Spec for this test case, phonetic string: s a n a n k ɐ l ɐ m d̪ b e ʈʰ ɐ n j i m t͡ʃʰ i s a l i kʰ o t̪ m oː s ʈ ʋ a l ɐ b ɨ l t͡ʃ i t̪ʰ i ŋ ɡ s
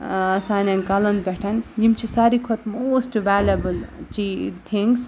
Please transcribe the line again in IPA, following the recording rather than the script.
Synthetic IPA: s a n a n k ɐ l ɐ n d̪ b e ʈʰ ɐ n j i m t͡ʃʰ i s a ɾ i kʰ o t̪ m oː s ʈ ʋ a l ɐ b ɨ l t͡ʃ i t̪ʰ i ŋ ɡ s